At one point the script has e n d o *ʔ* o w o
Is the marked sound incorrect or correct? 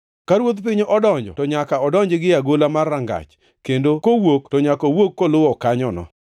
incorrect